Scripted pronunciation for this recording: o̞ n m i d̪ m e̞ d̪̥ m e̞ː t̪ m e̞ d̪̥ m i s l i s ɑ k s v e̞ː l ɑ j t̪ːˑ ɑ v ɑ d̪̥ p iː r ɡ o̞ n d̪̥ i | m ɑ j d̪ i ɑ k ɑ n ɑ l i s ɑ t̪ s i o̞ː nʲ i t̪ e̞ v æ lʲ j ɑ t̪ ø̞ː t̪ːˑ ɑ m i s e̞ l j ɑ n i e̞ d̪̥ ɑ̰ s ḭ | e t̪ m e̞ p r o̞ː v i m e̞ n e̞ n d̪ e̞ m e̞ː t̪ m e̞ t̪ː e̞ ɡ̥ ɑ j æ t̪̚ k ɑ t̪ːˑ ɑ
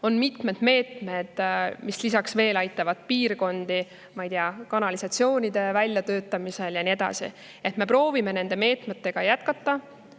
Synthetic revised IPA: o̞ n m i t̪ m e̞ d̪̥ m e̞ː t̪ m e̞ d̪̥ m i s l i s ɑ k s v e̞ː l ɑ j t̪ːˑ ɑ v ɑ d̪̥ p iː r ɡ o̞ n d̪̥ i | m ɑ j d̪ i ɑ k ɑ n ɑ l i s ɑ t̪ s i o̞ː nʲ i d̪ e̞ v æ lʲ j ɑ t̪ ø̞ː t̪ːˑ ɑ m i s e̞ l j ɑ n i e̞ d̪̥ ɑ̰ s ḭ | e t̪ m e̞ p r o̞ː v i m e̞ n e̞ n d̪ e̞ m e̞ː t̪ m e̞ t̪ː e̞ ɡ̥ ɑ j æ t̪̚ k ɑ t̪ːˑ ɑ